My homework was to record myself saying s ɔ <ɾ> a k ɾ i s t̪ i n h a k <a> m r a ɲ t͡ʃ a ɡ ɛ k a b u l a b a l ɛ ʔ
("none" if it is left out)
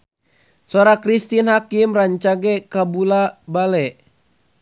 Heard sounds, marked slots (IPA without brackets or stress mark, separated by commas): ɾ, i